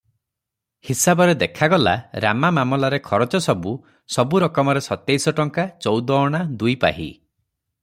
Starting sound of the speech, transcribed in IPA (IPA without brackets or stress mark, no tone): h